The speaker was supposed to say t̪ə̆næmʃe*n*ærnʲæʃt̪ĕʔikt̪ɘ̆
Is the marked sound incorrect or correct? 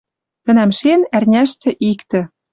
correct